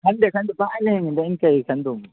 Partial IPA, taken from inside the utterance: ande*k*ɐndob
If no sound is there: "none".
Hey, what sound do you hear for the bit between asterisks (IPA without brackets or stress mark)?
k